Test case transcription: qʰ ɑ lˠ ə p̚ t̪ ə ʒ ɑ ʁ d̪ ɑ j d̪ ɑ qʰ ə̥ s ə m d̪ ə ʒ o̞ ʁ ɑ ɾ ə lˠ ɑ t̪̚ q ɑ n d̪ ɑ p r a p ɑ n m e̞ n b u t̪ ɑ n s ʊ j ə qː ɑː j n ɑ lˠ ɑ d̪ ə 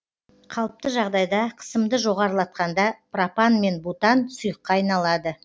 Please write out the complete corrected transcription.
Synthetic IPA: qʰ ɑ lˠ ə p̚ t̪ ə ʒ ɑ ʁ d̪ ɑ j d̪ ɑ qʰ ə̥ s ə m d̪ ə ʒ o̞ ʁ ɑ ɾ ə lˠ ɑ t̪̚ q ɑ n d̪ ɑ p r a p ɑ n m e̞ n b u t̪ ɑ n s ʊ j ə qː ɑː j n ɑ lˠ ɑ d̪ ə

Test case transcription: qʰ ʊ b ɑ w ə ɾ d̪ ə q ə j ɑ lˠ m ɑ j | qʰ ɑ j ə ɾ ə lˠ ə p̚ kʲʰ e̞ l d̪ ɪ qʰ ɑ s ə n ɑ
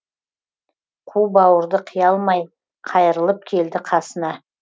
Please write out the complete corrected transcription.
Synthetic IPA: qʰ u b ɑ w ə ɾ d̪ ə qʰ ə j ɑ lˠ m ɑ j | qʰ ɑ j ə ɾ ə lˠ ə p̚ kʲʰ e̞ l d̪ ɪ qʰ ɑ s ə n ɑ

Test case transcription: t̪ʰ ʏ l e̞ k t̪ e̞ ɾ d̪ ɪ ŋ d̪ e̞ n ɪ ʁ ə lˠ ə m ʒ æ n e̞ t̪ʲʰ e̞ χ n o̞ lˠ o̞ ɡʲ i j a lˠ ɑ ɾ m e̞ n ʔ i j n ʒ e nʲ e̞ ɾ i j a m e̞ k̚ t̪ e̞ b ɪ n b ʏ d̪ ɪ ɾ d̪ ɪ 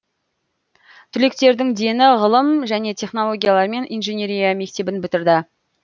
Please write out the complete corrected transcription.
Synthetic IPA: t̪ʰ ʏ l e̞ k t̪ e̞ ɾ d̪ ɪ ŋ d̪ e̞ n ɪ ʁ ə lˠ ə m ʒ æ n e̞ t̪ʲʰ e̞ χ n o̞ lˠ o̞ ɡʲ i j a lˠ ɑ ɾ m e̞ n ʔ i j n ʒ e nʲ e̞ ɾ i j a m e̞ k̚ t̪ e̞ b ɪ n b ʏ t̪ ɪ ɾ d̪ ɪ

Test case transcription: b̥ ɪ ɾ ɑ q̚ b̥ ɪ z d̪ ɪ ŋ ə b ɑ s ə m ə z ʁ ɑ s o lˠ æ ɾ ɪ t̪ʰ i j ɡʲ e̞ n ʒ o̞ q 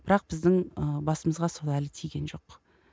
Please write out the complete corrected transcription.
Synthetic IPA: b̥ ɪ ɾ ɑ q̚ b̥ ɪ z d̪ ɪ ŋ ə b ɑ s ə m ə z ʁ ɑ s o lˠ æ l ɪ t̪ʰ i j ɡʲ e̞ n ʒ o̞ q

